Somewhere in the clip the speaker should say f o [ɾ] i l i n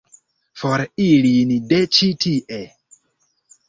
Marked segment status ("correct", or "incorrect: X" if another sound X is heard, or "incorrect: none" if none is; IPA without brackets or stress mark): correct